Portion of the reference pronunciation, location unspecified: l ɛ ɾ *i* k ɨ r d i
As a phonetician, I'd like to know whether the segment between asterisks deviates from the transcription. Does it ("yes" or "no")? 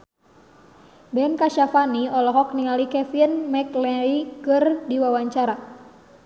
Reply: no